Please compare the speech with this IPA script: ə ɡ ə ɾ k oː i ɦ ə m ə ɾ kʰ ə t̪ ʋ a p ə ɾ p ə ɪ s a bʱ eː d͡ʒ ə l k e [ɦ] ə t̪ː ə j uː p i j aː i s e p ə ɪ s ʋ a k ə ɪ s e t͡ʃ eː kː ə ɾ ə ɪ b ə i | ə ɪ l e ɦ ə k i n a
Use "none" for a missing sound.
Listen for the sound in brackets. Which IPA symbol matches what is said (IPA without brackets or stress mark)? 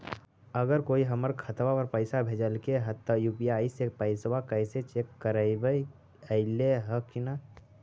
ɦ